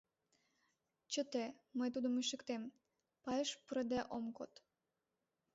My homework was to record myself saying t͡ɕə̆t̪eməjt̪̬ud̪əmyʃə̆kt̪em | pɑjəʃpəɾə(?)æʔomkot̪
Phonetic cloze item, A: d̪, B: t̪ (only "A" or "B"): A